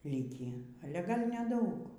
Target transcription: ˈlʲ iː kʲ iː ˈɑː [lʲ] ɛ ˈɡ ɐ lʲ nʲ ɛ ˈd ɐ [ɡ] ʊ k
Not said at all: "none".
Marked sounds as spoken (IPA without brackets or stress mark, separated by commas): lʲ, none